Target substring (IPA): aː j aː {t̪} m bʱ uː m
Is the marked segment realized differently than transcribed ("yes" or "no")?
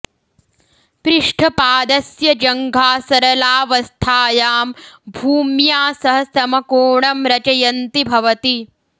yes